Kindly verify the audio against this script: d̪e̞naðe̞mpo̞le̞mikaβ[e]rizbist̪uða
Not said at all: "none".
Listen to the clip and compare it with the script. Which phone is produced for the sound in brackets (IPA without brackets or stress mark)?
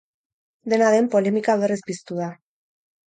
e